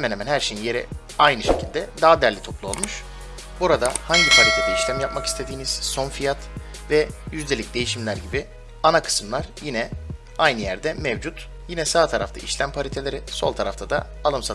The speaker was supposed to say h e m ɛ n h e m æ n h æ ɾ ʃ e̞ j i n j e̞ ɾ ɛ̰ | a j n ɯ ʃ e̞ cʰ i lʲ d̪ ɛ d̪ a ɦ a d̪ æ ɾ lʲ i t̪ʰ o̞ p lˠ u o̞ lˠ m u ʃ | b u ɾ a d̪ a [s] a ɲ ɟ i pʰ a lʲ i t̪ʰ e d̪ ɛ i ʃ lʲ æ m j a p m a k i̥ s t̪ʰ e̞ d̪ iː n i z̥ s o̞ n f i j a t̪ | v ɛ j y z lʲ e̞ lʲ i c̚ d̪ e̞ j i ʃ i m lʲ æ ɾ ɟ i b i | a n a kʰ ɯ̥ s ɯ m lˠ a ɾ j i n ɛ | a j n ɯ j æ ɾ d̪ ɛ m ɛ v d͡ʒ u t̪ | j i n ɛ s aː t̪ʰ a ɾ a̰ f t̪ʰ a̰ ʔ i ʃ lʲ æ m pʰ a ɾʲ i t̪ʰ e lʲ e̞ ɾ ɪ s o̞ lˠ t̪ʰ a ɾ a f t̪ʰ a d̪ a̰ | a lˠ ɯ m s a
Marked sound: incorrect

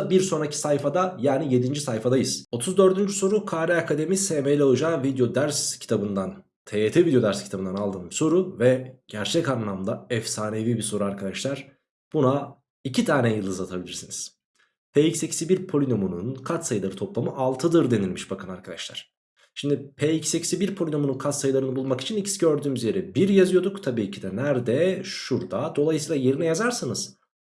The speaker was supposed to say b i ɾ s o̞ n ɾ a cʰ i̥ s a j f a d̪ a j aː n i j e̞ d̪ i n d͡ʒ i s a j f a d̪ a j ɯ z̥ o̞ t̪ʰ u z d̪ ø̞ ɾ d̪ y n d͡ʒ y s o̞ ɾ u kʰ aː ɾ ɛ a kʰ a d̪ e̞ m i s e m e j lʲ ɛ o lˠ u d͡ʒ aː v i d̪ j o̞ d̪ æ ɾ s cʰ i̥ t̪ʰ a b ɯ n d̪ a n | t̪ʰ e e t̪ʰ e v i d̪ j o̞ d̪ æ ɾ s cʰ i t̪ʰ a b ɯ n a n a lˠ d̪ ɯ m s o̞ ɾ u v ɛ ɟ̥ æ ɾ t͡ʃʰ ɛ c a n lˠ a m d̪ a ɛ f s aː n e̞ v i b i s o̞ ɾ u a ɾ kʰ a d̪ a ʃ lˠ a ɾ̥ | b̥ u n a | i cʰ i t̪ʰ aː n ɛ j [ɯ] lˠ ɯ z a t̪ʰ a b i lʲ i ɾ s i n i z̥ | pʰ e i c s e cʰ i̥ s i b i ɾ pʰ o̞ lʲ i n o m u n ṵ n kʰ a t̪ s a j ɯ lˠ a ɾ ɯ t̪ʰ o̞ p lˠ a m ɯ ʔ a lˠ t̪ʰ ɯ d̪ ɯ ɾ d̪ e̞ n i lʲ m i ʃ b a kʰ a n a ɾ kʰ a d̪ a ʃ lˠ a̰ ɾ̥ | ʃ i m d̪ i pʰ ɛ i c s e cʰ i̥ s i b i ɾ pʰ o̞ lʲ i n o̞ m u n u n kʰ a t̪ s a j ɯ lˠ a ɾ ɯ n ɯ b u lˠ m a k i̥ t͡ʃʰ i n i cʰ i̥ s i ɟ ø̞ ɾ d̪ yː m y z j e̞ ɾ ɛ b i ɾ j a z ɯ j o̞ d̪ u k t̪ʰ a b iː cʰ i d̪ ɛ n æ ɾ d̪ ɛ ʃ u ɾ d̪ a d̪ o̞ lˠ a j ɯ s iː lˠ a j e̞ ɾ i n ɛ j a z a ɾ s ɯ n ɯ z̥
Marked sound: correct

